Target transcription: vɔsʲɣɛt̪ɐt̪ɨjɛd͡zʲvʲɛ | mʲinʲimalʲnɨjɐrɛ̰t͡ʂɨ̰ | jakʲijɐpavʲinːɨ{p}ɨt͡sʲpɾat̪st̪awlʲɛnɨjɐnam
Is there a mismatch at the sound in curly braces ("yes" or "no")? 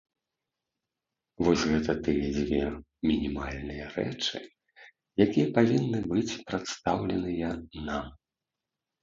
yes